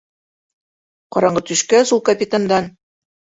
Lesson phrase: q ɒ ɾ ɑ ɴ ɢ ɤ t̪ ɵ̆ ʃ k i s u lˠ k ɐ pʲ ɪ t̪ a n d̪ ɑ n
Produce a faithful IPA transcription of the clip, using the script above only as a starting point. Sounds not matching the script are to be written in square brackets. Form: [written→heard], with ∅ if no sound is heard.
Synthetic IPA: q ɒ ɾ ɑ ɴ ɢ ɤ t̪ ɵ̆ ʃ k [i→æ] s u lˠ k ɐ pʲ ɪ t̪ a n d̪ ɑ n